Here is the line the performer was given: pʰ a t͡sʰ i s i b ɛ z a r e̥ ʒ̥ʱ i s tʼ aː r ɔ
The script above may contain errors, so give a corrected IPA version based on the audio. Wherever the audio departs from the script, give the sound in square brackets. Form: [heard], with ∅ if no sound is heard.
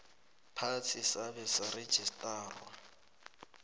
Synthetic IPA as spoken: pʰ a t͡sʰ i s [a] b ɛ [s] a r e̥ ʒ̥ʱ i s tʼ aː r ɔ